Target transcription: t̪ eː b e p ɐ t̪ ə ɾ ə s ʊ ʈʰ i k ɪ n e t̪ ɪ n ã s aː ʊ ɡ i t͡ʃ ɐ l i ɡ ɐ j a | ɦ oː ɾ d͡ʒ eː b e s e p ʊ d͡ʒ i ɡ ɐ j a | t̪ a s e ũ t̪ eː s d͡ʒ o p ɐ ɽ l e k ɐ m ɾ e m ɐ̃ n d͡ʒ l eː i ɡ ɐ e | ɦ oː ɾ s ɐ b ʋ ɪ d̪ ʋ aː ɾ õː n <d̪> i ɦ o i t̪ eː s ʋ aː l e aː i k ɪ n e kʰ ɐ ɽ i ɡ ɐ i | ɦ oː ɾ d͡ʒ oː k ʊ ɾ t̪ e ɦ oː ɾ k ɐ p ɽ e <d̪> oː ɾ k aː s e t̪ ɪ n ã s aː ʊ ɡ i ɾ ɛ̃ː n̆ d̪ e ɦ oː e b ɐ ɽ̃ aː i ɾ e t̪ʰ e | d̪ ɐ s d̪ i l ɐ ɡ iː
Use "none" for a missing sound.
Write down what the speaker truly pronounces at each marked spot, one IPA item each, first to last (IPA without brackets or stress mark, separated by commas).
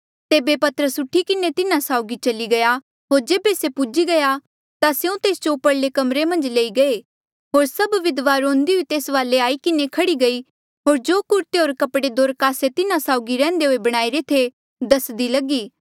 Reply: d̪, d̪